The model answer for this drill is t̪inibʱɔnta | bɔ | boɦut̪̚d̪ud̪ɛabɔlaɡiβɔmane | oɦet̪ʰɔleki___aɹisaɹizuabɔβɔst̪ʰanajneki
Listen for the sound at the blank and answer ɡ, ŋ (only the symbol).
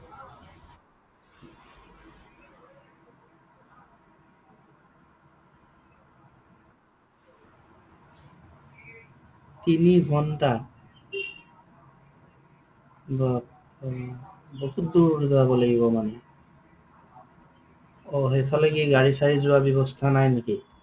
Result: ɡ